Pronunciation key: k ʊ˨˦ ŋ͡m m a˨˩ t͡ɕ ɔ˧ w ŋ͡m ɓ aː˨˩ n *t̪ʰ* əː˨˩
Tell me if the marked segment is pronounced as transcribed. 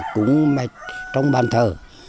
yes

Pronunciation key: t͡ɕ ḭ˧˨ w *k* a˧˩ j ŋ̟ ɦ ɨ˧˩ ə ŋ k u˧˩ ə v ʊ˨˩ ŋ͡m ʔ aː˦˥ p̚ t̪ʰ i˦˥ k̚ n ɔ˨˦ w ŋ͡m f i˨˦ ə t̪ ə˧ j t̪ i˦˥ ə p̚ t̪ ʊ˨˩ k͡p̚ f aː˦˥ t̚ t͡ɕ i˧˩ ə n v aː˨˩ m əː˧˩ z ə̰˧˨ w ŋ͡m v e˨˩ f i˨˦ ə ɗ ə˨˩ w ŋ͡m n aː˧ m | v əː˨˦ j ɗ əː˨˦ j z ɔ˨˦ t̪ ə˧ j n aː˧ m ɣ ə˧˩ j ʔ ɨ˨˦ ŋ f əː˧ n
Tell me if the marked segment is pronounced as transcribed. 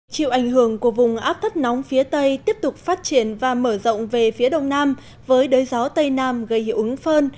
no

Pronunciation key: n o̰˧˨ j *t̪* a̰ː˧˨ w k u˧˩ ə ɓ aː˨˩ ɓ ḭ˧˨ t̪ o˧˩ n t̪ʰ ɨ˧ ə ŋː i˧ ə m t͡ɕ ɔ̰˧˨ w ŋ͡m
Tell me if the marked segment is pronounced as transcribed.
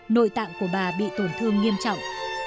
yes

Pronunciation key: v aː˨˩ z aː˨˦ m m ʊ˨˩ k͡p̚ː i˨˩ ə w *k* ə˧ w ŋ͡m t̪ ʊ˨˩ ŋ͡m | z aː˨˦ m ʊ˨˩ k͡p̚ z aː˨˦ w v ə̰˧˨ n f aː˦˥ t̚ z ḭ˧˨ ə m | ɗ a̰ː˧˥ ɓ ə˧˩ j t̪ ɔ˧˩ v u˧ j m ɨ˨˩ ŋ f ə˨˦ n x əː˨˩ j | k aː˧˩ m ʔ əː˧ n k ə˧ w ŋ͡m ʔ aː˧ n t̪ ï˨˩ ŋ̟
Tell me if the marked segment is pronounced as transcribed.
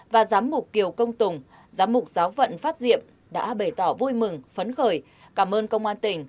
yes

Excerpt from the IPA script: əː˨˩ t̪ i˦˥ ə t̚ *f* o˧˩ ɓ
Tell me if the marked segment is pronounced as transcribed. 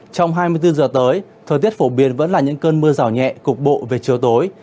yes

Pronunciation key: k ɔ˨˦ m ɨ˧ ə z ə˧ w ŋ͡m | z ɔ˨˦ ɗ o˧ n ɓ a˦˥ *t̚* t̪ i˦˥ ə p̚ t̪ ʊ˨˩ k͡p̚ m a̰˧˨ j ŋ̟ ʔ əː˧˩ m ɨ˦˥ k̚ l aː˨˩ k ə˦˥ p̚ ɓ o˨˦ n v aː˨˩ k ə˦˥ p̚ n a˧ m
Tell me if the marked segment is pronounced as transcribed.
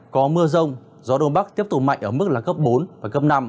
no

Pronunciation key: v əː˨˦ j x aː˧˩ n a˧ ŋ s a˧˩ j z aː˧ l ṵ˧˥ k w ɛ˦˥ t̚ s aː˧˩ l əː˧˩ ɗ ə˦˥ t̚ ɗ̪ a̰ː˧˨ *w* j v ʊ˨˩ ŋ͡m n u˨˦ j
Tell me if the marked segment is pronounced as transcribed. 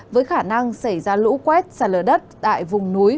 no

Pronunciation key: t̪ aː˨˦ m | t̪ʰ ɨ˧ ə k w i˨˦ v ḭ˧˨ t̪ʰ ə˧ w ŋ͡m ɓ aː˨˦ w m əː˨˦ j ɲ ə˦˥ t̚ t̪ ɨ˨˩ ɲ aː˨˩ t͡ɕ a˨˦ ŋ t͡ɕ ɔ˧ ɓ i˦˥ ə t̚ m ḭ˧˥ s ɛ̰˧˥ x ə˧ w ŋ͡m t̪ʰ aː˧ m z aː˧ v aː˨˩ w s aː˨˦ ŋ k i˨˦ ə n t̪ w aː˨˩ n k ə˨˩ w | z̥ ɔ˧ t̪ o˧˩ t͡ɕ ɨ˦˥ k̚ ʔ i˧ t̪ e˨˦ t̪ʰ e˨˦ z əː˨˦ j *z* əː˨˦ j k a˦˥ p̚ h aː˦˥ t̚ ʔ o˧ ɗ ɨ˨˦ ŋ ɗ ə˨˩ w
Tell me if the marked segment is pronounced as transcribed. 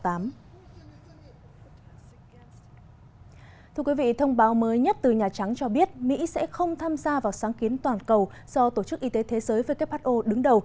no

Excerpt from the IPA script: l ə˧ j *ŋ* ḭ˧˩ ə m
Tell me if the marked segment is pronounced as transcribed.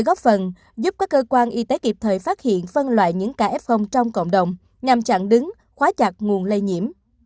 no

